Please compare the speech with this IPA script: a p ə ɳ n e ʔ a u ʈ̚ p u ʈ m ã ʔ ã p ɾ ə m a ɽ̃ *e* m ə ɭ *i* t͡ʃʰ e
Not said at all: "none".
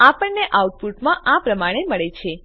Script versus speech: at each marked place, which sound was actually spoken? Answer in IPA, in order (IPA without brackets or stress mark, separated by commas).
e, e